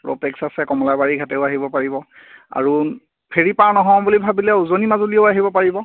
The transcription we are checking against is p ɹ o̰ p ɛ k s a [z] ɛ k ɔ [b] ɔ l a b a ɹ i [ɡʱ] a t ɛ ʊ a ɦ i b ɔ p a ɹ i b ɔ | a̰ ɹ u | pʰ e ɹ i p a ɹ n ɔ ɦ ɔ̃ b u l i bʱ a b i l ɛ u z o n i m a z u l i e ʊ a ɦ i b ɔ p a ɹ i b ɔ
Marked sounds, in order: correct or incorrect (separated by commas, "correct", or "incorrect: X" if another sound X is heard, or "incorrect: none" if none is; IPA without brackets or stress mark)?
incorrect: s, incorrect: m, correct